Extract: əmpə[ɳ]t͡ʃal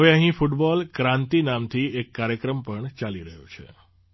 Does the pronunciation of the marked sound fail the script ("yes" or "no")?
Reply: no